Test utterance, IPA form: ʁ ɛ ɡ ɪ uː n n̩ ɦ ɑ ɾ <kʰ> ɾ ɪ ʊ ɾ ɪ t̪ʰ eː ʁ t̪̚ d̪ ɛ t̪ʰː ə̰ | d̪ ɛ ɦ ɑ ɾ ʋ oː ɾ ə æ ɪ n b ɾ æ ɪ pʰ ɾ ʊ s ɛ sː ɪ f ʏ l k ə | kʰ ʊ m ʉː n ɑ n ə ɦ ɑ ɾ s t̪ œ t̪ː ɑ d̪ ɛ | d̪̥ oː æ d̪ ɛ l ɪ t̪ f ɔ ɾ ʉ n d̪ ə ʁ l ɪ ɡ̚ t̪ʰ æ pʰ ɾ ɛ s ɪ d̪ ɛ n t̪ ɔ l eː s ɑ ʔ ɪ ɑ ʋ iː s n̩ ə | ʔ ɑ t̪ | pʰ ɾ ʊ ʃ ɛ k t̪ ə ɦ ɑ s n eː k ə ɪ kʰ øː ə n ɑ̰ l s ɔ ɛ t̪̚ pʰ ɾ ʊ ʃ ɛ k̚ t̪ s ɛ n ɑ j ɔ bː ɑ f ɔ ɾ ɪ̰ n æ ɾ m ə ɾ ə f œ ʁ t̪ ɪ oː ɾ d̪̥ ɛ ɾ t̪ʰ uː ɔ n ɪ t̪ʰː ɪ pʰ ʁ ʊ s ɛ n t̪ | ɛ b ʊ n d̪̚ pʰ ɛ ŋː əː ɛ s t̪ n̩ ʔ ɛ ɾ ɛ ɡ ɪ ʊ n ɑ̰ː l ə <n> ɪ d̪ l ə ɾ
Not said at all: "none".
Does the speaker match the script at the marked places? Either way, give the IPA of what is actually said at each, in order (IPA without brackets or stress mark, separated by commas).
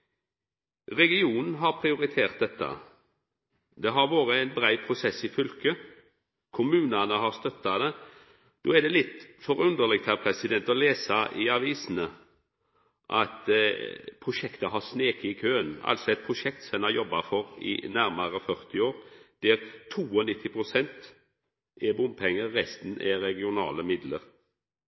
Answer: pʰ, m